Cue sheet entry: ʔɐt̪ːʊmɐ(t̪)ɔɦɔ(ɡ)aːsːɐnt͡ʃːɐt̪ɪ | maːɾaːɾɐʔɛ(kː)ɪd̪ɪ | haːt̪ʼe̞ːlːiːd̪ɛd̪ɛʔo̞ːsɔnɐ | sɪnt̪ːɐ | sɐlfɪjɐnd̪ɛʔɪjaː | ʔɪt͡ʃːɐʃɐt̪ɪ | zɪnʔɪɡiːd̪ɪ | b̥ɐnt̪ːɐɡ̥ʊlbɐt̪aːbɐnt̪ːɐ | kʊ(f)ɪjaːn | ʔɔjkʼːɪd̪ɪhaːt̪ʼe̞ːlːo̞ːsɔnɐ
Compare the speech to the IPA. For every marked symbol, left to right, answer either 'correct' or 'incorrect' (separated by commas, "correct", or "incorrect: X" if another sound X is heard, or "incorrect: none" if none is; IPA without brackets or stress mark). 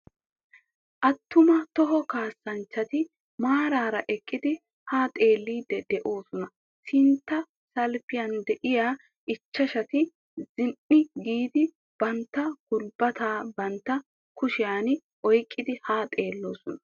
correct, incorrect: k, incorrect: kʼː, incorrect: ʃ